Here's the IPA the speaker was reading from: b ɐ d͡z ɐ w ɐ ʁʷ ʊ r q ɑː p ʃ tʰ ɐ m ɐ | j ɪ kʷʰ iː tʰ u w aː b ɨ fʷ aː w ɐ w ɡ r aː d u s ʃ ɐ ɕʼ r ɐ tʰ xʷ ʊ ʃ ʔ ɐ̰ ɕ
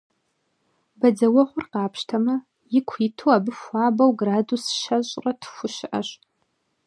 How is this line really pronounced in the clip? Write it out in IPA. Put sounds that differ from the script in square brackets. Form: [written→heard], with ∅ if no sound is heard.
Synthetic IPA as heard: b ɐ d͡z ɐ w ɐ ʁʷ ʊ r q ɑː p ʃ tʰ ɐ m ɐ | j ɪ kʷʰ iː tʰ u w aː b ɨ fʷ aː [w→b] ɐ w ɡ r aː d u s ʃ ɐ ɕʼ r ɐ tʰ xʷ ʊ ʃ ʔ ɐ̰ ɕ